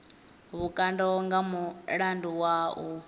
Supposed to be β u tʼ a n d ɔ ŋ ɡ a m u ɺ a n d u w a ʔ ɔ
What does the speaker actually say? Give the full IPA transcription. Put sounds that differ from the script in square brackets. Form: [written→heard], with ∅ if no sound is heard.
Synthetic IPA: β u [tʼ→kʼ] a n d ɔ ŋ ɡ a m u ɺ a n d u w a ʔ [ɔ→u]